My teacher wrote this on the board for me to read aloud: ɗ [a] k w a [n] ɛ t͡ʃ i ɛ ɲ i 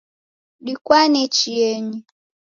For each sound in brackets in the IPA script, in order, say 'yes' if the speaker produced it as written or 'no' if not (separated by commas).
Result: no, yes